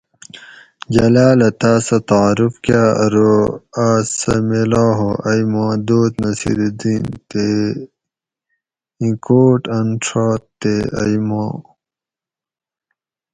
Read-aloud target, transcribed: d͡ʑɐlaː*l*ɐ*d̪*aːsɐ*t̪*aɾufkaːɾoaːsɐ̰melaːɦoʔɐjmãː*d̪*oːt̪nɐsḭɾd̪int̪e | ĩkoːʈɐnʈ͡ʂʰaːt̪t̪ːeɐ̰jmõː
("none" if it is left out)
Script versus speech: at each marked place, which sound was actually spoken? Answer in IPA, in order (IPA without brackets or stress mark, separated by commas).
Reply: l, t̪, t̪, d̪